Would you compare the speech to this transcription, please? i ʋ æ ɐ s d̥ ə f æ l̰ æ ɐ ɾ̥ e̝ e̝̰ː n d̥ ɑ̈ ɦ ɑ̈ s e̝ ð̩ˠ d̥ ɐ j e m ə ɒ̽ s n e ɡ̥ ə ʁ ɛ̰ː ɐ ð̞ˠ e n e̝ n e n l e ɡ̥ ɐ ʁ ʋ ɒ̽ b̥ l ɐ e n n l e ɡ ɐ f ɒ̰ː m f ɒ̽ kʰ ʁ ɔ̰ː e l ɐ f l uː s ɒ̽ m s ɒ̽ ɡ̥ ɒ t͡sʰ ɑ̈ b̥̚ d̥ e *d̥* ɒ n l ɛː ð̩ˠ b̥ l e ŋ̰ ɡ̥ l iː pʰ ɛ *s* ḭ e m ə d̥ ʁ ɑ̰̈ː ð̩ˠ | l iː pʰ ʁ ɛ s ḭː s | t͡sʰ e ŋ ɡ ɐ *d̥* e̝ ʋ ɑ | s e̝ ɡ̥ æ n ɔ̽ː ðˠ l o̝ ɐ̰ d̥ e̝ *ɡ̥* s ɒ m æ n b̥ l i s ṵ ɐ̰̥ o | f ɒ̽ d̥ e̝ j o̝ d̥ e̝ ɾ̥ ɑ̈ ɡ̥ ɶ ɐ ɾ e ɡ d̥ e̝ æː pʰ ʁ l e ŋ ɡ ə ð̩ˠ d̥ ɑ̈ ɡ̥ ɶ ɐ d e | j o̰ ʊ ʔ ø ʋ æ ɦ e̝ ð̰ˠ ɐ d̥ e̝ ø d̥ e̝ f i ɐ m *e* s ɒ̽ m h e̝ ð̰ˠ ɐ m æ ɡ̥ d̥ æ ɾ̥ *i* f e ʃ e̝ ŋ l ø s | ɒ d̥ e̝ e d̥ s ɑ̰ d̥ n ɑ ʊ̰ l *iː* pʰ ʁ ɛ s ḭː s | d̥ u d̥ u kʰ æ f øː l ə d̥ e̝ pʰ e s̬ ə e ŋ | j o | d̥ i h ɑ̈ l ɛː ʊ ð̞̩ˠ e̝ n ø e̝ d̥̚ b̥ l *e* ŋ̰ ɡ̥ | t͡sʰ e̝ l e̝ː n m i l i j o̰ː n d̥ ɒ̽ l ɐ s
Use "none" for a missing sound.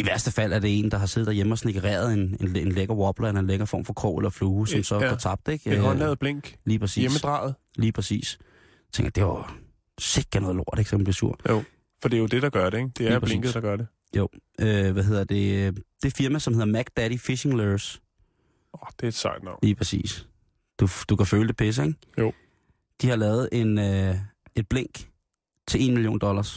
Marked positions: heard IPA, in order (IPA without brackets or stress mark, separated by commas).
ɡ̥, s, d̥, ɡ̥, æ, i, iː, e